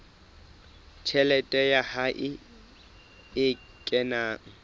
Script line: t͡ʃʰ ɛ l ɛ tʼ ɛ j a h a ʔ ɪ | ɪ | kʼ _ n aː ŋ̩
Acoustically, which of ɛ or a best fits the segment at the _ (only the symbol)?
ɛ